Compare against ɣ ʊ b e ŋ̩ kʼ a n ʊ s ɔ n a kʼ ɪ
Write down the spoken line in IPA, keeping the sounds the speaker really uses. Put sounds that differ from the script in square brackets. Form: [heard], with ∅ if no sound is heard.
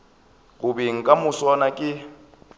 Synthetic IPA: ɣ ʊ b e ŋ̩ kʼ a [m] ʊ s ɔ n a kʼ ɪ